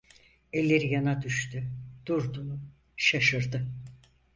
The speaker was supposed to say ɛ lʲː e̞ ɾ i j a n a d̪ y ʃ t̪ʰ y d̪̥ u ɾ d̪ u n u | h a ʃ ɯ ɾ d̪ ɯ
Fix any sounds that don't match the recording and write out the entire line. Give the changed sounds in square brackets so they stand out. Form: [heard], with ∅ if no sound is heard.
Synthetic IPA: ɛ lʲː e̞ ɾ i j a n a d̪ y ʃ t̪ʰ y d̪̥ u ɾ d̪ u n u | [ʃ] a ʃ ɯ ɾ d̪ ɯ